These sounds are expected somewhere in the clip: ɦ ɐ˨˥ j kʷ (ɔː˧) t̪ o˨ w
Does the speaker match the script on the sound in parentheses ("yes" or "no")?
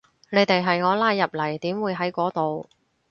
no